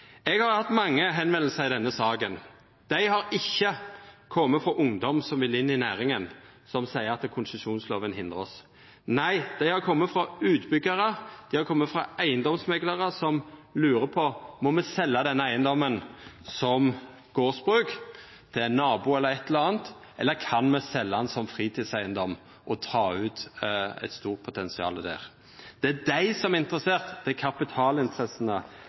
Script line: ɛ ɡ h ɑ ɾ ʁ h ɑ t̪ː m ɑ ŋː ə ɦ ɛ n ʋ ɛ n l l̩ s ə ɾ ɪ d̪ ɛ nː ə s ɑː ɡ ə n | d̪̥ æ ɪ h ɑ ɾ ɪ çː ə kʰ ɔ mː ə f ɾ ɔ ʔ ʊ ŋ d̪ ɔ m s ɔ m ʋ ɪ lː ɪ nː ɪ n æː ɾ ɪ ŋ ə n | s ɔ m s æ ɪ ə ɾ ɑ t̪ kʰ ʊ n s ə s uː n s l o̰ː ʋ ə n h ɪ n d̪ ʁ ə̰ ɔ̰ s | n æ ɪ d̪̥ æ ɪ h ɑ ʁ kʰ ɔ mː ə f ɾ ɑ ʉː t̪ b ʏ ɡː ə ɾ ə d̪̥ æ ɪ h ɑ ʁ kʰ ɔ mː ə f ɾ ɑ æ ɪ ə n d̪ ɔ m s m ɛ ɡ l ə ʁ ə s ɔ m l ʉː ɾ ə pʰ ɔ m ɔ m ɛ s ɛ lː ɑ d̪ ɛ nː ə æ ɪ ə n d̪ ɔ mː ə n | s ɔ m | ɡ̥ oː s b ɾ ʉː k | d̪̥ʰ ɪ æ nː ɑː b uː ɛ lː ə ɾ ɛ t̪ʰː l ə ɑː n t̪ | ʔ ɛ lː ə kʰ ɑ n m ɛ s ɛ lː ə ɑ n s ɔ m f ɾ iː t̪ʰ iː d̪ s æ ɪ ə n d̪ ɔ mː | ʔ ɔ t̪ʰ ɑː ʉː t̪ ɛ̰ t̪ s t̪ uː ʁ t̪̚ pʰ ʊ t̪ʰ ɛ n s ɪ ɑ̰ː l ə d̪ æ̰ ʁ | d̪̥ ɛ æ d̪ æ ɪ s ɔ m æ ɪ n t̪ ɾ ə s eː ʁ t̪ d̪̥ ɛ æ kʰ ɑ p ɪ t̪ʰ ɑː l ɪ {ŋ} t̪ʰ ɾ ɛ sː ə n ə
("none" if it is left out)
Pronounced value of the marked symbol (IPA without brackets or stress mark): n